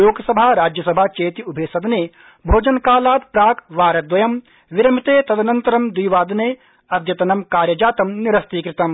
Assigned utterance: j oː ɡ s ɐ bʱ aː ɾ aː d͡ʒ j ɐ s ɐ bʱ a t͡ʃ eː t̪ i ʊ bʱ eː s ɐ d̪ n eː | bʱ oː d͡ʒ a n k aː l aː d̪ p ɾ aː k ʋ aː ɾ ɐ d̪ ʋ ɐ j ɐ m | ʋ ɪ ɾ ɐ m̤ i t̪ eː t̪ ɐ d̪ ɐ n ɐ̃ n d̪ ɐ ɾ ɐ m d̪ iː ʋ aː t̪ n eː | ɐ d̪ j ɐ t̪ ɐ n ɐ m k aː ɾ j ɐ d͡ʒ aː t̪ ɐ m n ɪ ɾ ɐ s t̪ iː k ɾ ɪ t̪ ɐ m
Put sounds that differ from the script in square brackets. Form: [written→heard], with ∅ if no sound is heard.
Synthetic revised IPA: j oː ɡ s ɐ bʱ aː ɾ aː d͡ʒ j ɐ s ɐ bʱ a t͡ʃ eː t̪ i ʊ bʱ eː s ɐ d̪ n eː | bʱ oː d͡ʒ [a→ɐ] n k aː l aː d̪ p ɾ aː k ʋ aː ɾ ɐ d̪ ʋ ɐ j ɐ m | ʋ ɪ ɾ ɐ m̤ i t̪ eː t̪ ɐ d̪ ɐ n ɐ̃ n [d̪→t̪] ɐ ɾ ɐ m d̪ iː ʋ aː [t̪→d̪] n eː | ɐ d̪ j ɐ t̪ ɐ n ɐ m k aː ɾ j ɐ d͡ʒ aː t̪ ɐ m n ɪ ɾ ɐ s t̪ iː k ɾ ɪ t̪ ɐ m